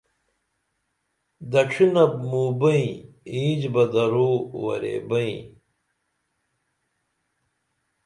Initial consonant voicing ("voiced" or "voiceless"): voiced